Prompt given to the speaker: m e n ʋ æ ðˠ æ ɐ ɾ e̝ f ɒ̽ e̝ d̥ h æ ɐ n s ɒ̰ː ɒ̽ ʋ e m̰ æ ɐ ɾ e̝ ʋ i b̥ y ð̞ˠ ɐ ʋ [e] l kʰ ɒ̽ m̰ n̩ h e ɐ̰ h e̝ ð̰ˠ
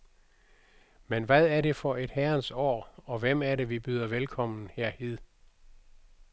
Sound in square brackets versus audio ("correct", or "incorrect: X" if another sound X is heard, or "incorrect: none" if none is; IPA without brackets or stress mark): correct